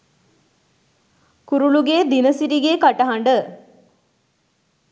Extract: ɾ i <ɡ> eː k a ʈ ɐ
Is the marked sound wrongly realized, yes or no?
no